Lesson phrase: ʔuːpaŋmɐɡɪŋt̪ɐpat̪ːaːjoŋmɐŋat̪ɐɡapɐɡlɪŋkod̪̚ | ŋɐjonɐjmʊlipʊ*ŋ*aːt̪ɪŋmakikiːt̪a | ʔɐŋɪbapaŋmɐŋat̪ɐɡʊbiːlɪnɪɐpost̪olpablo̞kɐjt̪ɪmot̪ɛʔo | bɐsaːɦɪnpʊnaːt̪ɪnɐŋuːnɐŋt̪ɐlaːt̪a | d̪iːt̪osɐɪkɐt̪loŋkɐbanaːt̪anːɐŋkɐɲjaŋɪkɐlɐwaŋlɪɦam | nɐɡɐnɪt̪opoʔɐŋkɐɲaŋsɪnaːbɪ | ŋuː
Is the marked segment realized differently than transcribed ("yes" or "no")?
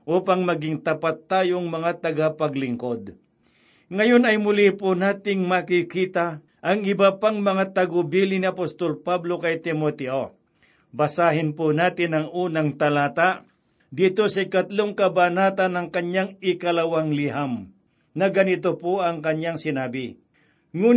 yes